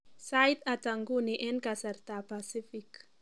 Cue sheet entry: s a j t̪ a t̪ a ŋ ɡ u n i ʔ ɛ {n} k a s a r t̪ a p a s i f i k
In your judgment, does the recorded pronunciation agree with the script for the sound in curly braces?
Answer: yes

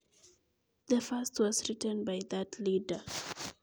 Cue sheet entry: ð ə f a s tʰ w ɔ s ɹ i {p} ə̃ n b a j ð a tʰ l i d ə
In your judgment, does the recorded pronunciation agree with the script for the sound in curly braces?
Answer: no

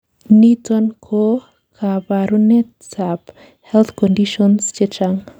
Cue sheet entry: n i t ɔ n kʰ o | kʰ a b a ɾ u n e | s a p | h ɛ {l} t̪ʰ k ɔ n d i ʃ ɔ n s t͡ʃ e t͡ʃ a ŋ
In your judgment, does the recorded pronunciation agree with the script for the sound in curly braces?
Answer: yes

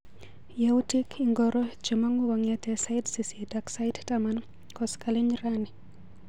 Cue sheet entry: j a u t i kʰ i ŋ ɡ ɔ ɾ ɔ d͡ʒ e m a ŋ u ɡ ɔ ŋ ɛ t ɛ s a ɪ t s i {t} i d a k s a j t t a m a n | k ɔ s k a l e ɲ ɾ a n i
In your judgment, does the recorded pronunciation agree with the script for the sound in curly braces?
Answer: no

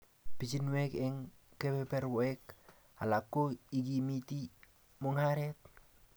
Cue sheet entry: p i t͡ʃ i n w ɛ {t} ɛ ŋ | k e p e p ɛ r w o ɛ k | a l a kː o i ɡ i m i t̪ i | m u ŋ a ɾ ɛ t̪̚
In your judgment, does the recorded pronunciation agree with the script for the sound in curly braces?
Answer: no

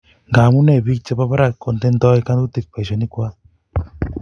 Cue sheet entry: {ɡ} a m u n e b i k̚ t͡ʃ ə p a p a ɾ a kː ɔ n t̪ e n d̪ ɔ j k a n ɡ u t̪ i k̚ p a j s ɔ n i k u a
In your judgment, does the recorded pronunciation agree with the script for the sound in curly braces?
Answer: yes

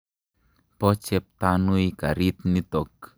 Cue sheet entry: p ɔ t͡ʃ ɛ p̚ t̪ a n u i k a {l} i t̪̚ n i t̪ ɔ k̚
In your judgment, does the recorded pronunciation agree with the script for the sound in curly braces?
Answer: no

